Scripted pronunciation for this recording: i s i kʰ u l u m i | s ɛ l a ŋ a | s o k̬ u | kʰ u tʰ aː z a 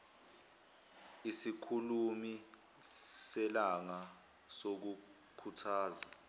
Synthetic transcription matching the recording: i s i kʰ u l u m i | s ɛ l a ŋ a | s o k̬ u | kʰ u tʰ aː z a